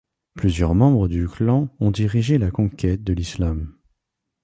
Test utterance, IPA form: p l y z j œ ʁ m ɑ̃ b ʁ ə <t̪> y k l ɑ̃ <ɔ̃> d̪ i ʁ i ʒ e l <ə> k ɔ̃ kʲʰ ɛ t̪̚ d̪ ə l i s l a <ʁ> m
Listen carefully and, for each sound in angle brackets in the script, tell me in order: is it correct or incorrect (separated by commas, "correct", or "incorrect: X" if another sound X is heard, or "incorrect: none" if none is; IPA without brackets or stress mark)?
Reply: incorrect: d̪, correct, incorrect: a, incorrect: none